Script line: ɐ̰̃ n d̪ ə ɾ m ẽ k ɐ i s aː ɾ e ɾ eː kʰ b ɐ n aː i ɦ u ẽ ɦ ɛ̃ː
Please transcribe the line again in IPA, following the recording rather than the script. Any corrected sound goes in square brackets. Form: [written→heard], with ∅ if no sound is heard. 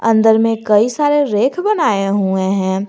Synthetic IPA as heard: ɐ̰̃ n d̪ ə ɾ m ẽ k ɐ i s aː ɾ e ɾ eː kʰ b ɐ n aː [i→e] ɦ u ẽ ɦ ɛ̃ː